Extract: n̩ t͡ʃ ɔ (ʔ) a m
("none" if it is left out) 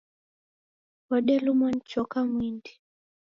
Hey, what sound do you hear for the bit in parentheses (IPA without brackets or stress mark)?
k